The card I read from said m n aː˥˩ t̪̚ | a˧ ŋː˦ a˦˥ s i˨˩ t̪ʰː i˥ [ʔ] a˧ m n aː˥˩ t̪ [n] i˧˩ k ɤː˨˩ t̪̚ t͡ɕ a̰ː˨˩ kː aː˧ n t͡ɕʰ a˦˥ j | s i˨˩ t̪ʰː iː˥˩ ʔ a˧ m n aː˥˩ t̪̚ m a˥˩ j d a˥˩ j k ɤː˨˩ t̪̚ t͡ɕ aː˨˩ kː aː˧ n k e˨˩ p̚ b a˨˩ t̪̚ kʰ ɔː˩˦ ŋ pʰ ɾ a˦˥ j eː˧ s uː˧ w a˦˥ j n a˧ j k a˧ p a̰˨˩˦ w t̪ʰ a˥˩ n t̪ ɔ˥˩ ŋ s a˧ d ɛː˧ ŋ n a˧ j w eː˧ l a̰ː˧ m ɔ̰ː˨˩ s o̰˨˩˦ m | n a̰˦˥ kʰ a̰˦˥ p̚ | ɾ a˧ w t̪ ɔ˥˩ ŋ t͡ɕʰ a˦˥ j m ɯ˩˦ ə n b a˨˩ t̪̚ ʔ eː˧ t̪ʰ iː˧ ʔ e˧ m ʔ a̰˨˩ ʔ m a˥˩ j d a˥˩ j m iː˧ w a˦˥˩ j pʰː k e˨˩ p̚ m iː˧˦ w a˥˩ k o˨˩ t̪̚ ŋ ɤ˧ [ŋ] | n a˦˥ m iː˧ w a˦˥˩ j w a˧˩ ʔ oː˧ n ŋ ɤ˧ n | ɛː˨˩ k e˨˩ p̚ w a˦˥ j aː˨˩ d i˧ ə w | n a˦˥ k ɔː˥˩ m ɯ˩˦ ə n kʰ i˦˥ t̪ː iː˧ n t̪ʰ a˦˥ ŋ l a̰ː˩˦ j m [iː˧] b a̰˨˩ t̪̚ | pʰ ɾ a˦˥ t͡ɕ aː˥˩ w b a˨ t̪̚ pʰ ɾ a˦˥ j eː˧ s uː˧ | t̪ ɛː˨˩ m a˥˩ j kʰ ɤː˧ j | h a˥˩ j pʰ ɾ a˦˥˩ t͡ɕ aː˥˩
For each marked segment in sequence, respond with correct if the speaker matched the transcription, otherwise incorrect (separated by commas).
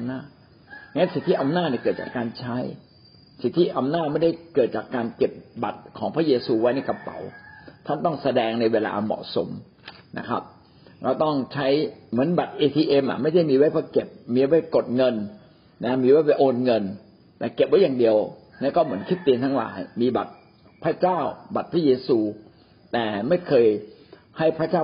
correct, correct, incorrect, correct